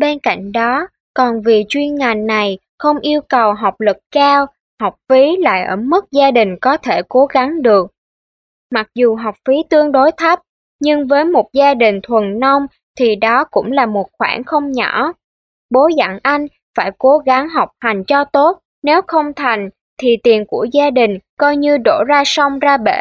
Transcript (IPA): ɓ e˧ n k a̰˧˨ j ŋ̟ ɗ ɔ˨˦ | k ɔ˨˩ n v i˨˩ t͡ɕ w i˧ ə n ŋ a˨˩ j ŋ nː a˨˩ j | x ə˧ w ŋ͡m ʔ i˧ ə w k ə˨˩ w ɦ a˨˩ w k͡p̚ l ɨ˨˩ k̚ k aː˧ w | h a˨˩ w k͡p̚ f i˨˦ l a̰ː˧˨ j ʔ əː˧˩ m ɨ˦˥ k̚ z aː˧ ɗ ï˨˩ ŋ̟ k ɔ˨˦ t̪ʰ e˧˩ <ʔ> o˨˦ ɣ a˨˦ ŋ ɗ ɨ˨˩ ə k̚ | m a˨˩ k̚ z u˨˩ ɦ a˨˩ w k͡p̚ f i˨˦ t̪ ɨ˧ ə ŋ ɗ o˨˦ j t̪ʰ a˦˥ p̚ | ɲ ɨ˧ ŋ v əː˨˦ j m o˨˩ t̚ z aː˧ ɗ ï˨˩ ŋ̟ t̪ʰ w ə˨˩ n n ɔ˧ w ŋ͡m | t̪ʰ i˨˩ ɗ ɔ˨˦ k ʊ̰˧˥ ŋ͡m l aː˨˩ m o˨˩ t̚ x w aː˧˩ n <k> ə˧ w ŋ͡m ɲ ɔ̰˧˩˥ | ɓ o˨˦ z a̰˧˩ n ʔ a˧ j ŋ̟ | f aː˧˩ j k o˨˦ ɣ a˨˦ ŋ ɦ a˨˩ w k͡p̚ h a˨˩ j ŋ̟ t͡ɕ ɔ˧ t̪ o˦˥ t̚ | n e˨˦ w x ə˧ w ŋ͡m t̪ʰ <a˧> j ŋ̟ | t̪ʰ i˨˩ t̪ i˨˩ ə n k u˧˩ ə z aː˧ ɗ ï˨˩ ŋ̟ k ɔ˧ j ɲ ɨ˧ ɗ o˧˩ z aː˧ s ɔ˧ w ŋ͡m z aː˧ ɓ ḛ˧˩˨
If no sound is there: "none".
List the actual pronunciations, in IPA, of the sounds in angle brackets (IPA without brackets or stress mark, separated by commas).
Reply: k, x, a˨˩